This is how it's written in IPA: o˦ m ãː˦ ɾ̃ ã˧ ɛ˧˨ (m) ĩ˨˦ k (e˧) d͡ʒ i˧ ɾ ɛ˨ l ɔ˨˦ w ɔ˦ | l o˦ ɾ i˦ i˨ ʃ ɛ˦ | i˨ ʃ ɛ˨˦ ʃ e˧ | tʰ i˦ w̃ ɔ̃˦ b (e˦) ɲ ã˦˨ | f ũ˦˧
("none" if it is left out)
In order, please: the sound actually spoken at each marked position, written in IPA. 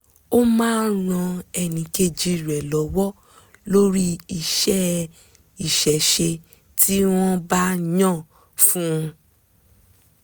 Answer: n, e˧, a˦

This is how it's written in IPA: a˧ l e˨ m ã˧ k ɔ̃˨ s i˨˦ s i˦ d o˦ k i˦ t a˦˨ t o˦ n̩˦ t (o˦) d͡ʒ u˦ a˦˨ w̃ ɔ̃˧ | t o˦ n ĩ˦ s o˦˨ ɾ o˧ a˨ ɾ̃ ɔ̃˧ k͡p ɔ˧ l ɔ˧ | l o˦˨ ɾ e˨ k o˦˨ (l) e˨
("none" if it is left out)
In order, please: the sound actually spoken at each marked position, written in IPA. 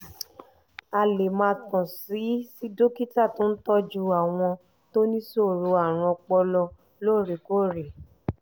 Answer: ɔ˦, ɾ

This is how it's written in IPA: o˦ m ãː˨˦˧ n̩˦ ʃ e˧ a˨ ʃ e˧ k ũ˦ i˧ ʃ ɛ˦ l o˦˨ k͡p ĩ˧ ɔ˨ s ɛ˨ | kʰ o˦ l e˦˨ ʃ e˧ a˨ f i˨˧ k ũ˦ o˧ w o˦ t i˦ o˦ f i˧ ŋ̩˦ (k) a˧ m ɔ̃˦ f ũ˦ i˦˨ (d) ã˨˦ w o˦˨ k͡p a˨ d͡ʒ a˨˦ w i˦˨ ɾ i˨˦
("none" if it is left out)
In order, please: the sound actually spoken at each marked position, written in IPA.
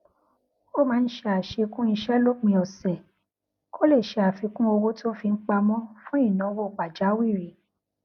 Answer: k͡p, n

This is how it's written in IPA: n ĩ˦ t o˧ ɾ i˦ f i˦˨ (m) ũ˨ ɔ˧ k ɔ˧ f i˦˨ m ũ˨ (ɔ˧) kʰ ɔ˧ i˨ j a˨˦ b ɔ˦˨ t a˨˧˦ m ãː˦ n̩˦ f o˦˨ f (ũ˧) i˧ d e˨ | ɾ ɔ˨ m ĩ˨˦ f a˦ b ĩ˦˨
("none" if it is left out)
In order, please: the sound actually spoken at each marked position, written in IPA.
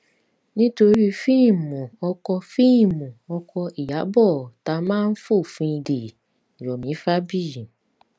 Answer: m, ɔ˧, ũ˧

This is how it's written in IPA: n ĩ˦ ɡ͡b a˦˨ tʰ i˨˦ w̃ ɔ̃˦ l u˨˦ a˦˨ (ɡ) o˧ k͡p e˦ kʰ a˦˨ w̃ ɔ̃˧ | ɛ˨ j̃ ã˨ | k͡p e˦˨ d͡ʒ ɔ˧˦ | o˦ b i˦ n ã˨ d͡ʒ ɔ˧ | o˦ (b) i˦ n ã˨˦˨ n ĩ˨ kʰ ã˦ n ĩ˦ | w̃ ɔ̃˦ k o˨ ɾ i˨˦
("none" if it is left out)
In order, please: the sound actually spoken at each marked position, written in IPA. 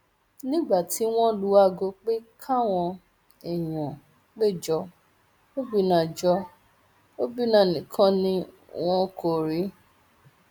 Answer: ɡ, b

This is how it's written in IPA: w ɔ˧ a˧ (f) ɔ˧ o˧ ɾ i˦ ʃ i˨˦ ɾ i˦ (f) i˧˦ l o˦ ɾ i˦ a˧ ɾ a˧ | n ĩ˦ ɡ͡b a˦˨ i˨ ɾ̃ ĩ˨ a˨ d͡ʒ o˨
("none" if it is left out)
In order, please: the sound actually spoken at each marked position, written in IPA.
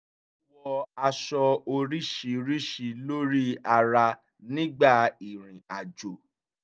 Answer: ʃ, ʃ

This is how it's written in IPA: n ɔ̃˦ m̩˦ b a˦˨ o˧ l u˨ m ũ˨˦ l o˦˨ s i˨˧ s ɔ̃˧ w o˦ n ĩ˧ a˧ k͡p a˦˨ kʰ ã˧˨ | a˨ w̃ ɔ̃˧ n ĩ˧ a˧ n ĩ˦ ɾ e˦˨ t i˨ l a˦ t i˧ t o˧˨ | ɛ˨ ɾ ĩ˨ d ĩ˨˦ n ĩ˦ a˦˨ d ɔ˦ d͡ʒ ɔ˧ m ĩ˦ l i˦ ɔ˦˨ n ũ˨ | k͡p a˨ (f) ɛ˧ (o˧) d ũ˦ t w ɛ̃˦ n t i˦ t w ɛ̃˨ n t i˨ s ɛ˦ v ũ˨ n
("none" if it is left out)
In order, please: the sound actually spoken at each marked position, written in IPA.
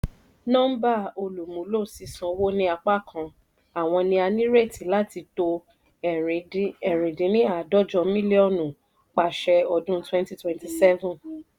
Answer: ʃ, ɔ˧

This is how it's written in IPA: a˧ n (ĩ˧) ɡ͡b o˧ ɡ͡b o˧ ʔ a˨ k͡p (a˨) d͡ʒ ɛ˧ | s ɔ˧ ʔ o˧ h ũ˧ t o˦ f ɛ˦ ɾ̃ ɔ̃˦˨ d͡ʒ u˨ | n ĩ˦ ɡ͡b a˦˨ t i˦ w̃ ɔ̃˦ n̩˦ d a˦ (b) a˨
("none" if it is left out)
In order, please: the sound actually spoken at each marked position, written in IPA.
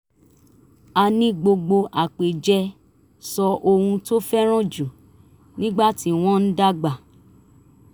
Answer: ĩ˧, e˨, ɡ͡b

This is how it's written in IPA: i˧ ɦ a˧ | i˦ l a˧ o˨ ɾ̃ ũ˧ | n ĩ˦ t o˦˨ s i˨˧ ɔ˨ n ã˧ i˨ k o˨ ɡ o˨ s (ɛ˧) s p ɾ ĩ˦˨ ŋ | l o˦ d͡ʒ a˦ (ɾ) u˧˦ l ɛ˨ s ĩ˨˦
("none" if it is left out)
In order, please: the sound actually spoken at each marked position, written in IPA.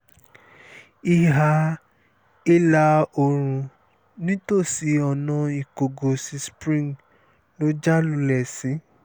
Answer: i˧, l

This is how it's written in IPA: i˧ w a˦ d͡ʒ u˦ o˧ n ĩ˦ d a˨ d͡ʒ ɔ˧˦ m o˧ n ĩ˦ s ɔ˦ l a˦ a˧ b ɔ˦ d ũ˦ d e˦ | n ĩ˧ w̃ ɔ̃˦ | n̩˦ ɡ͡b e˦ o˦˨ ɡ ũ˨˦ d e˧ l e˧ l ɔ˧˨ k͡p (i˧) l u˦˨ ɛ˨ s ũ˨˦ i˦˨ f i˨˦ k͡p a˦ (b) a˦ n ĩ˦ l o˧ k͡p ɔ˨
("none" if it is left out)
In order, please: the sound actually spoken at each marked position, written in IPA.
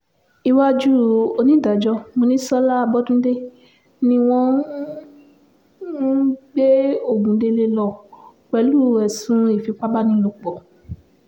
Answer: ɛ˧, b

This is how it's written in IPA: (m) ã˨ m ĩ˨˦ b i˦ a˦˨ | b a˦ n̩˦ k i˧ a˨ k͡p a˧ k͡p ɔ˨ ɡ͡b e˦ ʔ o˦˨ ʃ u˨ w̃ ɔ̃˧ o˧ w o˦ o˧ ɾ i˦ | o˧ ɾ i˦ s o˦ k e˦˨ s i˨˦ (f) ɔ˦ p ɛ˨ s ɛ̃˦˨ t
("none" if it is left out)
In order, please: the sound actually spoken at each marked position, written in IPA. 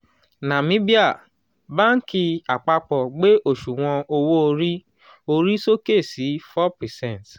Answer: n, f

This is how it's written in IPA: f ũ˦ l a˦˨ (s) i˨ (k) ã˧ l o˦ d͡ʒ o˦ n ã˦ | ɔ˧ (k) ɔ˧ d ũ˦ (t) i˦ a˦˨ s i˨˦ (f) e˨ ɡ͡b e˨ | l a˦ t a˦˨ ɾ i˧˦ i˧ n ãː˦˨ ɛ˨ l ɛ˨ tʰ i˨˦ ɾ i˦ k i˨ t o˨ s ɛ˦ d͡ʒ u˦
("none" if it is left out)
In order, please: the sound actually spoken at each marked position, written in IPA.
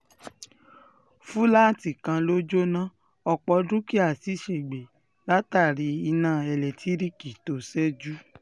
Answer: t, k, k͡p, k, ʃ

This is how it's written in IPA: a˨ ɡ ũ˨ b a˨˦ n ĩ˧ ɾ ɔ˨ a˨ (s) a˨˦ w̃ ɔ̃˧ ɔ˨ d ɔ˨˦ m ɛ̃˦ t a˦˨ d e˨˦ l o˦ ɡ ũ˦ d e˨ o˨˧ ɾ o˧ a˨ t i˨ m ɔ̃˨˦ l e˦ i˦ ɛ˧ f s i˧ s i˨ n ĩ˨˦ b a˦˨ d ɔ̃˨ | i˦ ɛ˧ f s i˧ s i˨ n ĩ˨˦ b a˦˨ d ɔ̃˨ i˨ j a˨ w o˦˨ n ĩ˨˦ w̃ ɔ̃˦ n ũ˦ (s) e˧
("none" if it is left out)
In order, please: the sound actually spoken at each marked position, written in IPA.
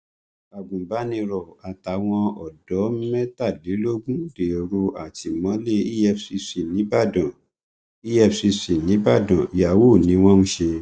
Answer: t, ʃ

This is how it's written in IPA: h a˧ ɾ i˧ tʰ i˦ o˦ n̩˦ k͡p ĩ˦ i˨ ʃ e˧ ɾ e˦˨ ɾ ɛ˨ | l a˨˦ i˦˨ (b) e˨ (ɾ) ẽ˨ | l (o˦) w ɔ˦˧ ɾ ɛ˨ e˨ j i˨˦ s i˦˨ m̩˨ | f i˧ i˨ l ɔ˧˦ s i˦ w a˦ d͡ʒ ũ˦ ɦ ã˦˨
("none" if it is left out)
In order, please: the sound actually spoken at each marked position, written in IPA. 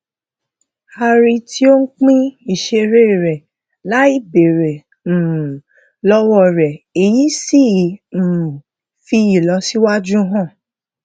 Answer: b, ɾ, ɔ˦

